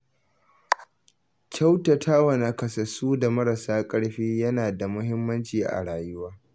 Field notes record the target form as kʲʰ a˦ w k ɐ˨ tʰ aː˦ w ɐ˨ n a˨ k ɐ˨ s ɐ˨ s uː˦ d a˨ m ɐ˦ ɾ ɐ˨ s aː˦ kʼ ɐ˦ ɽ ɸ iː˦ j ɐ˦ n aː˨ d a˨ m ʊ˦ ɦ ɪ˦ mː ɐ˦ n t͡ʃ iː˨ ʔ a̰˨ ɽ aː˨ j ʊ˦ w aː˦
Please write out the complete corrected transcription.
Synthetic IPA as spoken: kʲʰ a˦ w t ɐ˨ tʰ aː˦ w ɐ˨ n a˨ k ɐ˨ s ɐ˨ s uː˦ d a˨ m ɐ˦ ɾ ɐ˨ s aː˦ kʼ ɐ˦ ɽ ɸ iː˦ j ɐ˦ n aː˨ d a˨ m ʊ˦ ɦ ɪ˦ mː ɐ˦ n t͡ʃ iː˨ ʔ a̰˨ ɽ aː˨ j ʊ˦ w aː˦

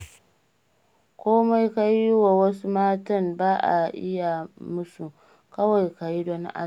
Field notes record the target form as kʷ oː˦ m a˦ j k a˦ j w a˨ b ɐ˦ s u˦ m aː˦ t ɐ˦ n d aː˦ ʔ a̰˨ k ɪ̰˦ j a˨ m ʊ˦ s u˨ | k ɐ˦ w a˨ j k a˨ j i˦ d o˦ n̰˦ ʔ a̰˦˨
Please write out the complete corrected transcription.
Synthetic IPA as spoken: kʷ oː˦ m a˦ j k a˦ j w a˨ w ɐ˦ s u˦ m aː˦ t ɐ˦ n b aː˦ ʔ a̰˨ ʔ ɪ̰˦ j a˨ m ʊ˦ s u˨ | k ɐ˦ w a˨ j k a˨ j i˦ d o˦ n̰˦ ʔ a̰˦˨

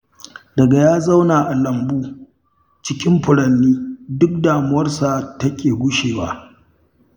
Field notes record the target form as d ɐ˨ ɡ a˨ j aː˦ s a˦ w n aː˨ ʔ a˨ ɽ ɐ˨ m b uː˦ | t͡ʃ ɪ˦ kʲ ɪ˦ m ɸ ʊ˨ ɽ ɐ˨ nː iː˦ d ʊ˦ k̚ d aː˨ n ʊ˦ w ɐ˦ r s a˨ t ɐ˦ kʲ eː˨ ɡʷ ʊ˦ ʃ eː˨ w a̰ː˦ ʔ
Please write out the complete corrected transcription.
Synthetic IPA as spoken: d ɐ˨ ɡ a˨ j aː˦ z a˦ w n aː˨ ʔ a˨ l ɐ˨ m b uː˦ | t͡ʃ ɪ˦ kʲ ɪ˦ m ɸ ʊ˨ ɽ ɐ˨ nː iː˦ d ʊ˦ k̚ d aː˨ m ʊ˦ w ɐ˦ r s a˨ t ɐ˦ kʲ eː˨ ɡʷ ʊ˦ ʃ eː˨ w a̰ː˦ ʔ

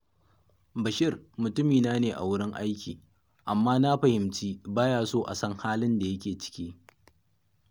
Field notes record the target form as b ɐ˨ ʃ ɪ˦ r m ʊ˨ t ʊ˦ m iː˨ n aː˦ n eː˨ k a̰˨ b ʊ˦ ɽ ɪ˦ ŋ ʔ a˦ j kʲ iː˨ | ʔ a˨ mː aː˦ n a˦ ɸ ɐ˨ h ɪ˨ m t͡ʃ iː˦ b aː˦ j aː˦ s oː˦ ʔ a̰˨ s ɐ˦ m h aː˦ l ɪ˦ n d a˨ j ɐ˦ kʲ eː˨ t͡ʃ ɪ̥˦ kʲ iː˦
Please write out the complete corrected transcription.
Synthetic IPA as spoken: b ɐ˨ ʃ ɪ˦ r m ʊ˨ t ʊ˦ m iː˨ n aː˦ n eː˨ ʔ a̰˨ w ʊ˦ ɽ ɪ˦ ŋ ʔ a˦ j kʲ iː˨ | ʔ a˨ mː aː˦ n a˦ ɸ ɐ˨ h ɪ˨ m t͡ʃ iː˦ b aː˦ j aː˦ s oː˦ ʔ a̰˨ s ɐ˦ ŋ h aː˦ l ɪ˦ n d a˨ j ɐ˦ kʲ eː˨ t͡ʃ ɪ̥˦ kʲ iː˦

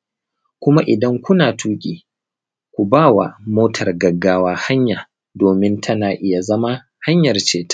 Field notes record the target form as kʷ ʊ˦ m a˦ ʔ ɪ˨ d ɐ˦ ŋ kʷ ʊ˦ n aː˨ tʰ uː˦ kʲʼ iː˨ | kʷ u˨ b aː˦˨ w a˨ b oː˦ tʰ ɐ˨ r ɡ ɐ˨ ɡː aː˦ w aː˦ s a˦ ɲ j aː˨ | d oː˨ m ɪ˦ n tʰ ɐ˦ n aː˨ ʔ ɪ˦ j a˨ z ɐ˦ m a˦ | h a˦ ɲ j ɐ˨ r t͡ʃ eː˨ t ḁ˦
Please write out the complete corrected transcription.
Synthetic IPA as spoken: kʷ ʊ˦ m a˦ ʔ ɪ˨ d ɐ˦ ŋ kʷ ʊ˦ n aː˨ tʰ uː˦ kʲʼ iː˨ | kʷ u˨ b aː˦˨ w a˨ m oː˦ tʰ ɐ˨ r ɡ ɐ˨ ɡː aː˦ w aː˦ h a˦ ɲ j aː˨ | d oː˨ m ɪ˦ n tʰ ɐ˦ n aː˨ ʔ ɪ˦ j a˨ z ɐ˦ m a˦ | h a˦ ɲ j ɐ˨ r t͡ʃ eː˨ t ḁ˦

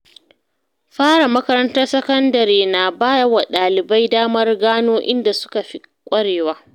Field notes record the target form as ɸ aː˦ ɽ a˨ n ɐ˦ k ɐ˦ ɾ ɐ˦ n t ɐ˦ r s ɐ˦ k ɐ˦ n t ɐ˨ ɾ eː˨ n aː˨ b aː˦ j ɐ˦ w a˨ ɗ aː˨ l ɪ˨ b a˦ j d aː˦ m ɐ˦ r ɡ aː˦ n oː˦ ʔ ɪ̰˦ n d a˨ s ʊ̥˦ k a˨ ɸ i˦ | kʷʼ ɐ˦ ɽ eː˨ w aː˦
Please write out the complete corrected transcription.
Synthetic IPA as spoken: ɸ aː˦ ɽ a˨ m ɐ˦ k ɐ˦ ɾ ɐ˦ n t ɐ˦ r s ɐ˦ k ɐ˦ n d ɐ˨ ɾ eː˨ n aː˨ b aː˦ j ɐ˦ w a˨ ɗ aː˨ l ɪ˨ b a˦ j d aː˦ m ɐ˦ r ɡ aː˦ n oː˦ ʔ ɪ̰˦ n d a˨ s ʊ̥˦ k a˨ ɸ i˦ | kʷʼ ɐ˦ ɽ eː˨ w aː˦

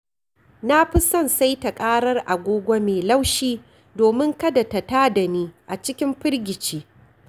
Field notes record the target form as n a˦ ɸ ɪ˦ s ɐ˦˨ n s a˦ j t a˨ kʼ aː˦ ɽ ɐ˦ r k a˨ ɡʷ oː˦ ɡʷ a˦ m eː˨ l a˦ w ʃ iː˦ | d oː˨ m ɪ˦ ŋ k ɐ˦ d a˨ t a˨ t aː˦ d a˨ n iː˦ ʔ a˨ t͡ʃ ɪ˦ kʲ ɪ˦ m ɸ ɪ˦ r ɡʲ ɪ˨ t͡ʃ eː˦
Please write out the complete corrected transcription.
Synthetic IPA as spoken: n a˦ ɸ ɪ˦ s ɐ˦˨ n s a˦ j t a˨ kʼ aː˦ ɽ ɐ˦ r ʔ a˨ ɡʷ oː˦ ɡʷ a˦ m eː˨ l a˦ w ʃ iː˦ | d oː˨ m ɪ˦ ŋ k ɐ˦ d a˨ t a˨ t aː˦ d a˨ n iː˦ ʔ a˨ t͡ʃ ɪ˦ kʲ ɪ˦ m ɸ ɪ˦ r ɡʲ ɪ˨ t͡ʃ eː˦

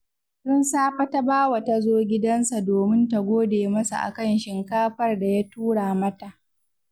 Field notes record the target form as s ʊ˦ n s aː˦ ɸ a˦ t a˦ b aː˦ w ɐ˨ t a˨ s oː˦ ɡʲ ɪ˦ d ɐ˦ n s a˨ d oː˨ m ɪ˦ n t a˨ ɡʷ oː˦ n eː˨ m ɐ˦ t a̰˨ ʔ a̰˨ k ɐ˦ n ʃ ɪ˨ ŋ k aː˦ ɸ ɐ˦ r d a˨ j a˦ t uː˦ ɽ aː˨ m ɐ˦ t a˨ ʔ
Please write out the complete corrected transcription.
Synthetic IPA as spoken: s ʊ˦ n s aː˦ ɸ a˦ t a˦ b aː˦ w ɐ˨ t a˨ z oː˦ ɡʲ ɪ˦ d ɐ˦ n s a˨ d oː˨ m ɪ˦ n t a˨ ɡʷ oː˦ d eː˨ m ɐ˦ s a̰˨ ʔ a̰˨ k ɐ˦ n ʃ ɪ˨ ŋ k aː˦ ɸ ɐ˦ r d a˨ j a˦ t uː˦ ɽ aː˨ m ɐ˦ t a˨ ʔ

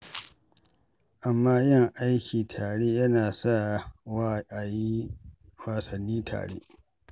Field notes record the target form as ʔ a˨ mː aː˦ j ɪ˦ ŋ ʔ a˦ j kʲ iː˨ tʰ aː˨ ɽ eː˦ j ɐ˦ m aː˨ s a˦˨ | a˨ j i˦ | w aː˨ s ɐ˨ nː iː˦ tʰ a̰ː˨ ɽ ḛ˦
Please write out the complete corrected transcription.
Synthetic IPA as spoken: ʔ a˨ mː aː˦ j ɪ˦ ŋ ʔ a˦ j kʲ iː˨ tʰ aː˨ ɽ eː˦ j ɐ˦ n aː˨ s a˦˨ | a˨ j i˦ | w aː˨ s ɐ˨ nː iː˦ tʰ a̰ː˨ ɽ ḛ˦

